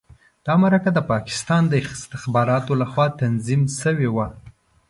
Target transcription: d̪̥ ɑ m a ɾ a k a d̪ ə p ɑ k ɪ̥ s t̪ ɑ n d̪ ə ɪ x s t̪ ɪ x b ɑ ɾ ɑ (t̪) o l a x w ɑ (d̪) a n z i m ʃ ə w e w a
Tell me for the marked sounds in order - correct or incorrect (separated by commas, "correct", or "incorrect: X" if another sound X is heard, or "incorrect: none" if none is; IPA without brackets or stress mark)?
correct, incorrect: t̪